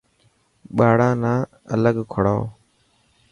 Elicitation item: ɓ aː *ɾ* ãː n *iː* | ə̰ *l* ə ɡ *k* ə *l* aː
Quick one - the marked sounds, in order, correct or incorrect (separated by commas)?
incorrect, incorrect, correct, incorrect, incorrect